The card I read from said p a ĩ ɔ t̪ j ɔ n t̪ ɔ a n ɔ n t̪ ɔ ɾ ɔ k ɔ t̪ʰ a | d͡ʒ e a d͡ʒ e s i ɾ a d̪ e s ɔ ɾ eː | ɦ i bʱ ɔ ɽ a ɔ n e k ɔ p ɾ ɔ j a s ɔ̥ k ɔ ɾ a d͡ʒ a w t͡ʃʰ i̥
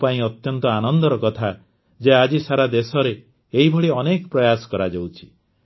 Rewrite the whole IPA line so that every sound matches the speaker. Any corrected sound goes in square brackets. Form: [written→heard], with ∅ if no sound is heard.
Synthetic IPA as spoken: p a ĩ ɔ t̪ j ɔ n t̪ ɔ a n ɔ n [t̪→d̪] ɔ ɾ ɔ k ɔ t̪ʰ a | d͡ʒ e a d͡ʒ [e→i] s [i→a] ɾ a d̪ e s ɔ ɾ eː | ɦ i bʱ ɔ ɽ [a→i] ɔ n e k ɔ p ɾ ɔ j a s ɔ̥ k ɔ ɾ a d͡ʒ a w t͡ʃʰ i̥